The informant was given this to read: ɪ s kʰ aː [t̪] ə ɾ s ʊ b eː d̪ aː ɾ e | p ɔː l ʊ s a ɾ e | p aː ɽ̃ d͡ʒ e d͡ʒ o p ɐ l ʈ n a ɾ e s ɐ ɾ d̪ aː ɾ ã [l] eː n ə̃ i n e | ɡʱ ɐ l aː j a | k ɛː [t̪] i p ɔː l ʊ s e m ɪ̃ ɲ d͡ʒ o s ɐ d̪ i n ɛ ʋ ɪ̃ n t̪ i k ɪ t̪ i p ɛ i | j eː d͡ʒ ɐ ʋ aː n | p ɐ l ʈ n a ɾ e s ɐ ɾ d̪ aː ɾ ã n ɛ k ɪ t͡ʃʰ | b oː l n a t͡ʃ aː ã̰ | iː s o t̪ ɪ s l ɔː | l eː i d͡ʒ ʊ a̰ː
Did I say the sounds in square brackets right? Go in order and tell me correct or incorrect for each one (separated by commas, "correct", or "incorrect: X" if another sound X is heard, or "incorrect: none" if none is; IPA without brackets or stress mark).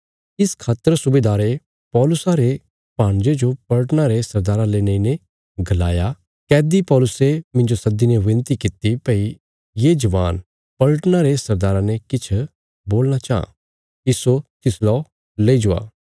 correct, correct, incorrect: d̪